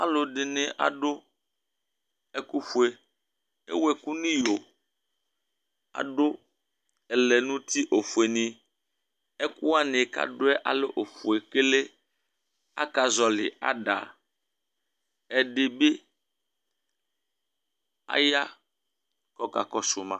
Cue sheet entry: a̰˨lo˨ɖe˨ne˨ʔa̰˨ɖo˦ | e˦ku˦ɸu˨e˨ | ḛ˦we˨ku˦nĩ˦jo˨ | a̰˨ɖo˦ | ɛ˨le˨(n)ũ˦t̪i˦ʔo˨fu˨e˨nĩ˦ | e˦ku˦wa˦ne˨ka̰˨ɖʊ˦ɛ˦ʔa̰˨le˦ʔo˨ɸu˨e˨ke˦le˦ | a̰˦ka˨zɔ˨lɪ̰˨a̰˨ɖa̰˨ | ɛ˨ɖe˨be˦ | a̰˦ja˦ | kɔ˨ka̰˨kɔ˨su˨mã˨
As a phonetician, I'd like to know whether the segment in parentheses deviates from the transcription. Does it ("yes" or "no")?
no